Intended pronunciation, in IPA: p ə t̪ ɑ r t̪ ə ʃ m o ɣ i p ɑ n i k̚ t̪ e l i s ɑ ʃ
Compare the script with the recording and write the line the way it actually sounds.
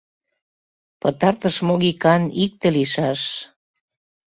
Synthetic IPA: p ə t̪ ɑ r t̪ ə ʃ m o ɣ i k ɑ n i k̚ t̪ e l i ʃ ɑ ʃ